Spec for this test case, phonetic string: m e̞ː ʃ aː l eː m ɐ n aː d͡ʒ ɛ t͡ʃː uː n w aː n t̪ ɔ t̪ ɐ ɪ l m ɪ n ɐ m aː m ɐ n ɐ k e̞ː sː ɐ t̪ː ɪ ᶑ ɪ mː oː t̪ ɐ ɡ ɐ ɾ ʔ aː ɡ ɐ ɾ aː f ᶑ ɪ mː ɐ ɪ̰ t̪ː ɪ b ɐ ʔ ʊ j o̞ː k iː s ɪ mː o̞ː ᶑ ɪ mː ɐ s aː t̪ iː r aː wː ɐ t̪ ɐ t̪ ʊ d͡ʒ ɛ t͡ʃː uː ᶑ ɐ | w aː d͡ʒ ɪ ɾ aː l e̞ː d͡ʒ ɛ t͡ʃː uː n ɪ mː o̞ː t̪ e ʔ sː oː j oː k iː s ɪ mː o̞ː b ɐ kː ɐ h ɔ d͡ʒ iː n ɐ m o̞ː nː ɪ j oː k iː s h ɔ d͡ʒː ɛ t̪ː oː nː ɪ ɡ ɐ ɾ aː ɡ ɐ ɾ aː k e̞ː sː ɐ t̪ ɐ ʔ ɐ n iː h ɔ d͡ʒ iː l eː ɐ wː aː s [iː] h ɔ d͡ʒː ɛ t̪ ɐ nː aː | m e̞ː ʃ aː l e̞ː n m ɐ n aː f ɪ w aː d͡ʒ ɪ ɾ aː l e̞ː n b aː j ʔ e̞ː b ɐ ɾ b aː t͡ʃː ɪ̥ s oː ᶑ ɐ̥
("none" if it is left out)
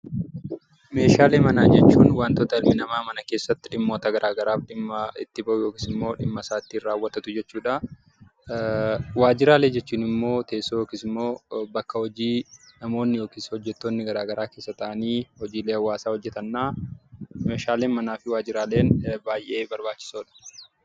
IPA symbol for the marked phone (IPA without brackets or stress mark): aː